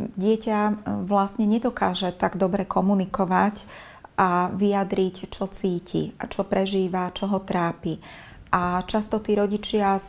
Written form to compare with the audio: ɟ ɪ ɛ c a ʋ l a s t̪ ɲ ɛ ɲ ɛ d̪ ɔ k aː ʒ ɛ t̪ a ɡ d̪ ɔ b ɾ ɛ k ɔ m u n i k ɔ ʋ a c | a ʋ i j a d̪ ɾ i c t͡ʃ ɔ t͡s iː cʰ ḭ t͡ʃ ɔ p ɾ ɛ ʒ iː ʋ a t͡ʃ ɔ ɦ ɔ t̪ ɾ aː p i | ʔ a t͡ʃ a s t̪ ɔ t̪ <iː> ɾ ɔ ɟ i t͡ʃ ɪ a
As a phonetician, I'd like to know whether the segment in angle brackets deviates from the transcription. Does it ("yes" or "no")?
no